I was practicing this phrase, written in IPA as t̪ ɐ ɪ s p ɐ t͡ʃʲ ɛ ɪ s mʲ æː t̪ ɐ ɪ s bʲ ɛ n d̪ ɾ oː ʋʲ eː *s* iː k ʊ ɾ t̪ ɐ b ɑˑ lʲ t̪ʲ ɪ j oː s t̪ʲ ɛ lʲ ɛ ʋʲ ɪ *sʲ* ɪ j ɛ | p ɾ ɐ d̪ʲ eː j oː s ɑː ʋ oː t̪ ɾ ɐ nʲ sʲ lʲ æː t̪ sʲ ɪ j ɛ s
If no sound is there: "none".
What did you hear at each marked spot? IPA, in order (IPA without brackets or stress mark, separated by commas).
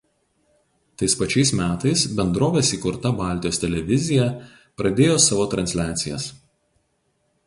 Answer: s, zʲ